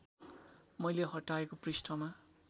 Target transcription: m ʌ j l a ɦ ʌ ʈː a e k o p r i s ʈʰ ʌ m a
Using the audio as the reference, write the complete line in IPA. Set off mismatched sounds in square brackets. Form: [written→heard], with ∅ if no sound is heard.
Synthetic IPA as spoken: m ʌ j l [a→e] ɦ ʌ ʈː a e k o p r i s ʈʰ ʌ m a